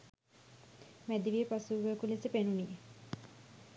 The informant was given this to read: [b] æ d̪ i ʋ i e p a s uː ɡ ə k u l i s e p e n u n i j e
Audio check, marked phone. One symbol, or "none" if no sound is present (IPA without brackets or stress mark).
m